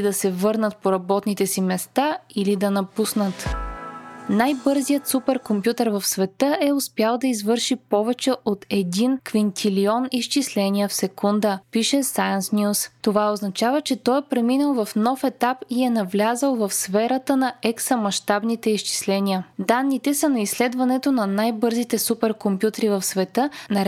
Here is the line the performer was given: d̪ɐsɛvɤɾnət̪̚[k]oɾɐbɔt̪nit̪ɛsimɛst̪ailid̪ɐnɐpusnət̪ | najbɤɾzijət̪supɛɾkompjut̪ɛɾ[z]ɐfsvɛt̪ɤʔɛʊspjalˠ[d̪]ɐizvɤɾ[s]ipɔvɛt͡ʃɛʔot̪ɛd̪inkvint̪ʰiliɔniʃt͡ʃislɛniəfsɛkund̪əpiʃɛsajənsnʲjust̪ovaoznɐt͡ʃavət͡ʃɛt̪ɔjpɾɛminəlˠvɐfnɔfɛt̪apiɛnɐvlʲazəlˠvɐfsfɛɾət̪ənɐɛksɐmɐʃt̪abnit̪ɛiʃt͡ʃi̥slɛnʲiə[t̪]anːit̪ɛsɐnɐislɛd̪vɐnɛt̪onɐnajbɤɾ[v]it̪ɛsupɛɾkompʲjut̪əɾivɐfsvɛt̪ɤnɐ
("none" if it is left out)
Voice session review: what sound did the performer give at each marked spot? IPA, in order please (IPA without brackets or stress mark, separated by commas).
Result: p, v, d̪, ʃ, d̪, z